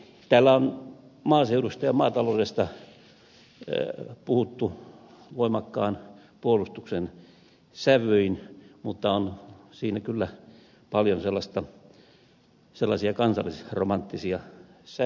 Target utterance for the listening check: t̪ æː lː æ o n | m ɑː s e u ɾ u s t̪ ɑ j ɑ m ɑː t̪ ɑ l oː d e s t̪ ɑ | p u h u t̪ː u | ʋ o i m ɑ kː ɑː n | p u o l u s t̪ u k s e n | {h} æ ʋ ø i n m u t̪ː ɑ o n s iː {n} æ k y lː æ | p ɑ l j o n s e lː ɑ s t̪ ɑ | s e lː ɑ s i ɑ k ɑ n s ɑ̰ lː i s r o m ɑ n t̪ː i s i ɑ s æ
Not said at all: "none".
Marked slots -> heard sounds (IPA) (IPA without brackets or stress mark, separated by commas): s, n